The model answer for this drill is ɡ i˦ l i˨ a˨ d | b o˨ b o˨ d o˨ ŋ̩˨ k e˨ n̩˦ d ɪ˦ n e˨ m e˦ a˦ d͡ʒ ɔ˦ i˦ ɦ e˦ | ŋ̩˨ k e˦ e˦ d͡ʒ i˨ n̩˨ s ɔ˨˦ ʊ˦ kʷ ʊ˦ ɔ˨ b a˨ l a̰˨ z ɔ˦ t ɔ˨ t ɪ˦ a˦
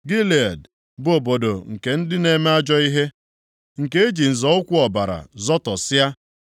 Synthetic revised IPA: ɡ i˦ l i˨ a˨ d | b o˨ b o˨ d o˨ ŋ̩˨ k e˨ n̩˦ d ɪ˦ n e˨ m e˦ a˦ d͡ʒ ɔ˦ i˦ ɦ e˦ | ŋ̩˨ k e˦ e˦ d͡ʒ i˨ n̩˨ z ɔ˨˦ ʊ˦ kʷ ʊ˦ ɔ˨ b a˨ ɾ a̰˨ z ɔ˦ t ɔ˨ s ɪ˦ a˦

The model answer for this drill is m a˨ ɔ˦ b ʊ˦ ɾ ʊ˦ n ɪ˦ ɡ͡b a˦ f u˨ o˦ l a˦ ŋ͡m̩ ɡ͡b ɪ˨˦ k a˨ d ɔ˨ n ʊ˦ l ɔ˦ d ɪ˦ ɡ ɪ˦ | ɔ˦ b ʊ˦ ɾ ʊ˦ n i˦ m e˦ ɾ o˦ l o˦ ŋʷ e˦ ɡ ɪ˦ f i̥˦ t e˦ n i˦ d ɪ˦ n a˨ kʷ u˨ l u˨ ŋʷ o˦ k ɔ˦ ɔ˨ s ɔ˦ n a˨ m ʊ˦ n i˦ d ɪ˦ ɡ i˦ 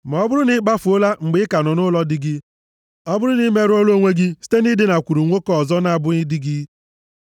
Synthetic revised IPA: m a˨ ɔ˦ b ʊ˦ ɾ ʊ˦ n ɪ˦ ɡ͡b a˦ f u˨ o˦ l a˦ ŋ͡m̩ ɡ͡b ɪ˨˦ k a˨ n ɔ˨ n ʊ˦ l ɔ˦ d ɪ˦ ɡ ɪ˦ | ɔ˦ b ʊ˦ ɾ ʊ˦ n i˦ m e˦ ɾ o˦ l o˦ ŋʷ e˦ ɡ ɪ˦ s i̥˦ t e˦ n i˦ d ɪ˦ n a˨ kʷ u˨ ɾ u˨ ŋʷ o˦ k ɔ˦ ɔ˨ z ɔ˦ n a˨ b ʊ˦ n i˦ d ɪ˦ ɡ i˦

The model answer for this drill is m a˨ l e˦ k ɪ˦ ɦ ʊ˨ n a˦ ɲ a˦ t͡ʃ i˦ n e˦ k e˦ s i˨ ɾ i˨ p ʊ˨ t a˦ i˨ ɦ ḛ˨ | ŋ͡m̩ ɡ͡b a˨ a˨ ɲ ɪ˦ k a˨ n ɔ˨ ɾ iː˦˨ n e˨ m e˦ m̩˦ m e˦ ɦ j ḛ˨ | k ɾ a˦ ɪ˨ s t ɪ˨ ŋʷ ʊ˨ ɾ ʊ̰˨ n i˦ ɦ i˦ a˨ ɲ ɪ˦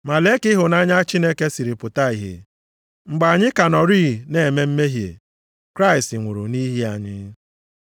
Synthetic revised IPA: m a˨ l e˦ k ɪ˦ ɦ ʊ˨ n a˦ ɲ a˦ t͡ʃ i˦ n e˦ k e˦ s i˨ ɾ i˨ p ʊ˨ t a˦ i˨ ɦ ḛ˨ | ŋ͡m̩ ɡ͡b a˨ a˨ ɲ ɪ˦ k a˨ n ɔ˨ ɾ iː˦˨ n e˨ m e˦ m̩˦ m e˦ ɦ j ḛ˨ | k ɾ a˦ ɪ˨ s t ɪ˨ ŋʷ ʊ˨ ɾ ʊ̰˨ n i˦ ɦ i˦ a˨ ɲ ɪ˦

